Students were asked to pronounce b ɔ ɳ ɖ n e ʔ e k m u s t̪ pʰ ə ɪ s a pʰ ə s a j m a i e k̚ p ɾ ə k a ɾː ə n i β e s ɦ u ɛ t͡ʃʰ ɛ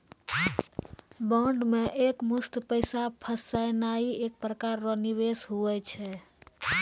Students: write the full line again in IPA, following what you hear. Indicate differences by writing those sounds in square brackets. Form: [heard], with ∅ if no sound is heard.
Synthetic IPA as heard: b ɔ ɳ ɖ [m] e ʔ e k m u s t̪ [p] ə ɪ s a pʰ ə s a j [n] a i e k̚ p ɾ ə k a ɾː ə n i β e s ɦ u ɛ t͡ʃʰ ɛ